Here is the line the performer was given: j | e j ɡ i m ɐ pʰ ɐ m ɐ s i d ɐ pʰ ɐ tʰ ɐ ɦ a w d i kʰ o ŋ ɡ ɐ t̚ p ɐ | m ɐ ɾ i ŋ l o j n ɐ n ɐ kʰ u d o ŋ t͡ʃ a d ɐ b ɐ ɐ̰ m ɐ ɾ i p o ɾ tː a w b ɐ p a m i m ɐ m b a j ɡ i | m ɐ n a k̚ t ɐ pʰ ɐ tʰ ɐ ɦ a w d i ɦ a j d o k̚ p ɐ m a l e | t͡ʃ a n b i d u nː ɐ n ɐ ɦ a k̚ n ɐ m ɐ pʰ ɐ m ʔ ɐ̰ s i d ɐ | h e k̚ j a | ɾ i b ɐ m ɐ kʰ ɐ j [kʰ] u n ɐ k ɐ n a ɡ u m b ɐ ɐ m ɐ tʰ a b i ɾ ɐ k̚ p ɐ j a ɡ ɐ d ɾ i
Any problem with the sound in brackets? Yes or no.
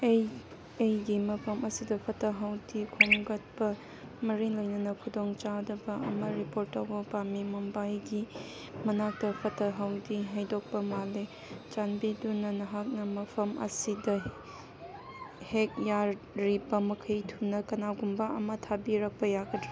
yes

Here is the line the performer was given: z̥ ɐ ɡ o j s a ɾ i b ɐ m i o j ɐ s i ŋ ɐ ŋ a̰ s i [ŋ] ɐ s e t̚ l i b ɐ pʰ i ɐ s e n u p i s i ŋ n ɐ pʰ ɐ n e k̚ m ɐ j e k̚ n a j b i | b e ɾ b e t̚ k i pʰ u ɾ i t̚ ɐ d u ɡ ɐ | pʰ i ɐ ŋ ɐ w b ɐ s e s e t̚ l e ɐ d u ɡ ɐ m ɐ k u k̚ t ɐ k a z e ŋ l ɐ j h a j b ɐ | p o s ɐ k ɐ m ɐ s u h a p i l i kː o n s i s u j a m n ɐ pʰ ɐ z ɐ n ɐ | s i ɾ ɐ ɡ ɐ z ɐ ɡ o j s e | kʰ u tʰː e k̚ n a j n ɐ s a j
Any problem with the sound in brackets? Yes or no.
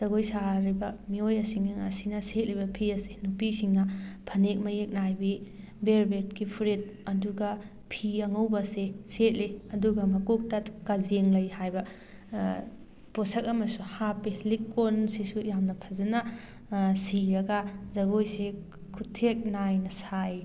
yes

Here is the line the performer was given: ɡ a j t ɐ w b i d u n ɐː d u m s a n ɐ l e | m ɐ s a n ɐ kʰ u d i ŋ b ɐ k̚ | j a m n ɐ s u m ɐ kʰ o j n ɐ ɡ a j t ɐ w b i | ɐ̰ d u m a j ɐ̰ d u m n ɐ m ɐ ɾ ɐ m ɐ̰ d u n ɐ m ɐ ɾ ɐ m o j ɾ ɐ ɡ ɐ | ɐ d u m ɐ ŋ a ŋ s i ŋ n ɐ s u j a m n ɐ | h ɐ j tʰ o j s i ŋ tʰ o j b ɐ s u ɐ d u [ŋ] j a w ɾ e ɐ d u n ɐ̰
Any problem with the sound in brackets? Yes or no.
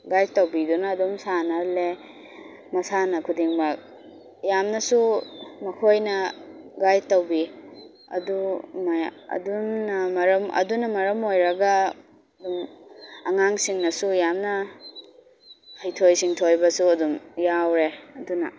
yes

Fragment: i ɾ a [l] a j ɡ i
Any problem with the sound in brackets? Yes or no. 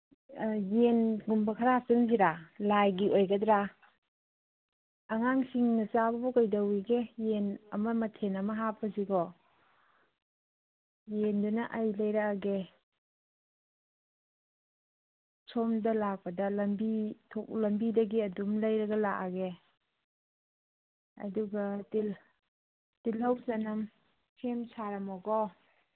no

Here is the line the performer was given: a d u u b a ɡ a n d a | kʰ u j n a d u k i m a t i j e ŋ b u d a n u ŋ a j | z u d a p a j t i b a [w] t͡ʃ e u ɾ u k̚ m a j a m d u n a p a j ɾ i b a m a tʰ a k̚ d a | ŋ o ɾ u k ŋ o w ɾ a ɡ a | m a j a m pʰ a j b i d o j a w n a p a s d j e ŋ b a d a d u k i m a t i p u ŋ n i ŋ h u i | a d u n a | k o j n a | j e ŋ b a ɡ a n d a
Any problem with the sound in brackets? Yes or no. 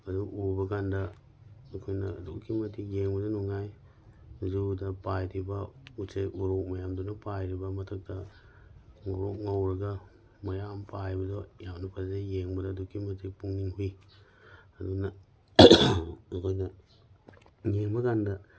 yes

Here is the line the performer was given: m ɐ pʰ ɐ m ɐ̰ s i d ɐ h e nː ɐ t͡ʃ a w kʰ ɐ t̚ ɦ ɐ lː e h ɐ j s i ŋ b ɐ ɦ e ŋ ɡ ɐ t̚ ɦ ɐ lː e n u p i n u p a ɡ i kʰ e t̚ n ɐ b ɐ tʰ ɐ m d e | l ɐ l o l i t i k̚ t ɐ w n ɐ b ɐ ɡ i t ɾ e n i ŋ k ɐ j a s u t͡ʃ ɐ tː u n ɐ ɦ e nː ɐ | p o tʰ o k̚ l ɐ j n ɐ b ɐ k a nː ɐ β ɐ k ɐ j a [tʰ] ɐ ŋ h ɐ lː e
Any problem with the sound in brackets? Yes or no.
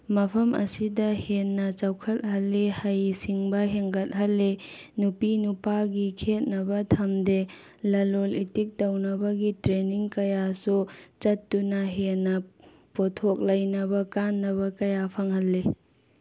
yes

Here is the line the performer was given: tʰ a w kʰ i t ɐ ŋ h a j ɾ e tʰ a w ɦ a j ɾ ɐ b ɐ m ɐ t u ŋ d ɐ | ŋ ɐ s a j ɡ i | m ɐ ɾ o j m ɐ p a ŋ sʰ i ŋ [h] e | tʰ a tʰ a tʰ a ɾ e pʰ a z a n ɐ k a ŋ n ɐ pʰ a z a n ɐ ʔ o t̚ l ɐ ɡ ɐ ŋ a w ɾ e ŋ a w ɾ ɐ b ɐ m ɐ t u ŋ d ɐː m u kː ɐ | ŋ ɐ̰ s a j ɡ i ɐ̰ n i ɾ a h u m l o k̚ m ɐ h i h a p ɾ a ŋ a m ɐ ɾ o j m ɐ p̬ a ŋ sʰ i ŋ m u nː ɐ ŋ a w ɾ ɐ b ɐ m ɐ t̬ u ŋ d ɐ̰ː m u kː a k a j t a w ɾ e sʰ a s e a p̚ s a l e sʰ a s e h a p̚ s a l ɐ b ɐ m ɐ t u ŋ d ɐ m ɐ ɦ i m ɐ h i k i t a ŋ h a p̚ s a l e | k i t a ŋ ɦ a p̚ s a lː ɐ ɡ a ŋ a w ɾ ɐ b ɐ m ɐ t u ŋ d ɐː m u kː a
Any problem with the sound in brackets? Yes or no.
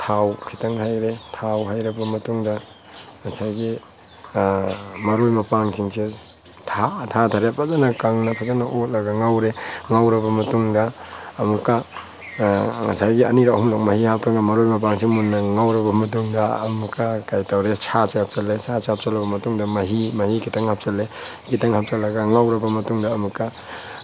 yes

